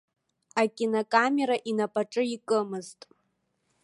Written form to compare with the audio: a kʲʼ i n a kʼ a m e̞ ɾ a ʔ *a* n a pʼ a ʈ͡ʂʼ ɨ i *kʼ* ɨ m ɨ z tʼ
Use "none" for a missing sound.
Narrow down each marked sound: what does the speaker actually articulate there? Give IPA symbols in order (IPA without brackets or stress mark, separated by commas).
i, kʼ